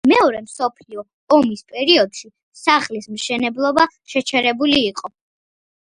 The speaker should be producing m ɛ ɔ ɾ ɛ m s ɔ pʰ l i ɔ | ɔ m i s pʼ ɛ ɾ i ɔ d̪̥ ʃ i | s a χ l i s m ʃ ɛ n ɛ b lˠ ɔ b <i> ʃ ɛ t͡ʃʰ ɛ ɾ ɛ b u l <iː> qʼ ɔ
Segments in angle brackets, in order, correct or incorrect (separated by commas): incorrect, correct